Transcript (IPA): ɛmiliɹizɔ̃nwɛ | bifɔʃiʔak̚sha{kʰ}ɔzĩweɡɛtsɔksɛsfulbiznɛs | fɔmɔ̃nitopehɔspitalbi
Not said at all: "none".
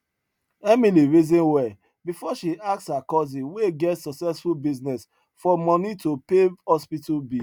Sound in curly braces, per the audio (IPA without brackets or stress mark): k